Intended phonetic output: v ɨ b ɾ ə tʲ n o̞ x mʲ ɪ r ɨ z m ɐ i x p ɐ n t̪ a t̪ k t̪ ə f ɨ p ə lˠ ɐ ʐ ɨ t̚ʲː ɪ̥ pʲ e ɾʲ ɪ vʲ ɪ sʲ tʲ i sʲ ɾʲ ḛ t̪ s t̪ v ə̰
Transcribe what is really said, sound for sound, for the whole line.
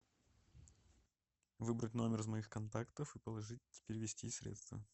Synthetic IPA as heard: v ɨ b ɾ ə tʲ n o̞ mʲ ɪ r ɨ z m ɐ i x k ɐ n t̪ a k t̪ ə f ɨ p ə lˠ ɐ ʐ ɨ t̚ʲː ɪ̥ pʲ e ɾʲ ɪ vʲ ɪ sʲ tʲ i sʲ ɾʲ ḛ t̪ s t̪ v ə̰